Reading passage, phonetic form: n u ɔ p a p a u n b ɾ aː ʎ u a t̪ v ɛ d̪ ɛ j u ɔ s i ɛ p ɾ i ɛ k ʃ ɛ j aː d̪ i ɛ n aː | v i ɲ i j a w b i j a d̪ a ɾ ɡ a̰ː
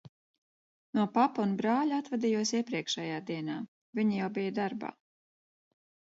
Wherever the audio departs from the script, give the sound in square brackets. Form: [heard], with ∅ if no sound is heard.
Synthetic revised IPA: n u ɔ p a p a u n b ɾ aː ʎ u a t̪ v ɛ d̪ [i] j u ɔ s i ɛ p ɾ i ɛ k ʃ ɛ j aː d̪ i ɛ n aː | v i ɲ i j a w b i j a d̪ a ɾ [b] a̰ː